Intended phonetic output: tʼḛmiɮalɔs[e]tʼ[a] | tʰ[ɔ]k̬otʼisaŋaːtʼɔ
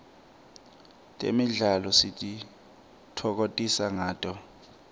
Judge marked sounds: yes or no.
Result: no, no, yes

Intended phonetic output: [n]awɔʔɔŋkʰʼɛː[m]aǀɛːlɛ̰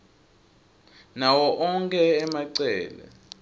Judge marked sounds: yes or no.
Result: yes, yes

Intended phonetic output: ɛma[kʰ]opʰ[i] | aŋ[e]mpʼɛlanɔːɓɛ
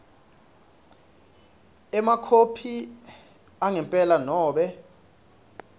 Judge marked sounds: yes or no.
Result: yes, yes, no

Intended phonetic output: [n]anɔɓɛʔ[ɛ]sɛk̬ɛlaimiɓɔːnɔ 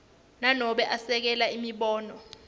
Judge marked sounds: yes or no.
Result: yes, no

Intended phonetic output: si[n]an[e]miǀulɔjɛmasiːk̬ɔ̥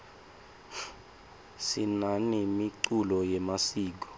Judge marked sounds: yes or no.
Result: yes, no

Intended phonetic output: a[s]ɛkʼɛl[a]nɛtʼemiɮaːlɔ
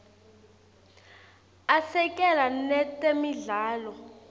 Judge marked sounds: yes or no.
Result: yes, yes

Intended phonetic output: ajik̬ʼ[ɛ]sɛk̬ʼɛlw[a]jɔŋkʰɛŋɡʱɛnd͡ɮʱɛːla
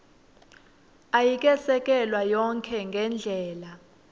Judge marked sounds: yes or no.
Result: yes, yes

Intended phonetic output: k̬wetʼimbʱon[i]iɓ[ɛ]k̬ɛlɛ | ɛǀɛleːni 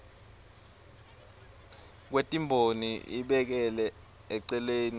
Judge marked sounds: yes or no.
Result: yes, yes

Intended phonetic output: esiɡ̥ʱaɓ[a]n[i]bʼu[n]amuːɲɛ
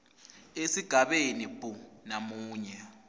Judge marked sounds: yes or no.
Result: no, yes, yes

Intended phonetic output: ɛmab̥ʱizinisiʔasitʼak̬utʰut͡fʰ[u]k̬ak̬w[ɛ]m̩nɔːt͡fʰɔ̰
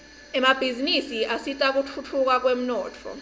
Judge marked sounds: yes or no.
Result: yes, no

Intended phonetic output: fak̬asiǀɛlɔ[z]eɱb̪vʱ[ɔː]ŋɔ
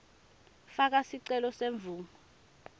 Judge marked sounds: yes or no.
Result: no, no

